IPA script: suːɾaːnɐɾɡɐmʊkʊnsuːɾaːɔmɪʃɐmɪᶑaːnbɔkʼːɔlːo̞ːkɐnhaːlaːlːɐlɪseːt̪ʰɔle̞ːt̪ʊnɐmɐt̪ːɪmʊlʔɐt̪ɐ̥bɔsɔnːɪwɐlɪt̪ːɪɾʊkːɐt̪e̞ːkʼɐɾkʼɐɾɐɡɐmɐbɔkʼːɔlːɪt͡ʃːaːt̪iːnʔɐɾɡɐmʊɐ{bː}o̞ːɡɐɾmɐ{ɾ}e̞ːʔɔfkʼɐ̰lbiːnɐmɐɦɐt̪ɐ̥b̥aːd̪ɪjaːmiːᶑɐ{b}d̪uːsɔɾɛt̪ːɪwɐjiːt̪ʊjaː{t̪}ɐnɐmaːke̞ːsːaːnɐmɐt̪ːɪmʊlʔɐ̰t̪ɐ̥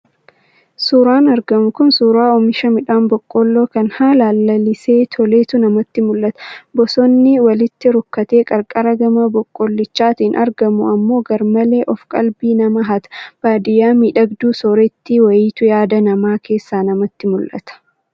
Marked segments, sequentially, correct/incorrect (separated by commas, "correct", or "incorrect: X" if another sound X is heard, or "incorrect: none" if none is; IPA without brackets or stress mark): incorrect: mː, incorrect: l, incorrect: ɡ, incorrect: d̪